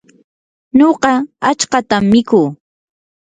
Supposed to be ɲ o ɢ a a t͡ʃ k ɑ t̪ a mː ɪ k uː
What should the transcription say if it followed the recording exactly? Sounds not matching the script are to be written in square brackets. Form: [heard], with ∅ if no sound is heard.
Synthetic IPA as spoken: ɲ o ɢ [ɑ] a t͡ʃ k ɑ t̪ a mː ɪ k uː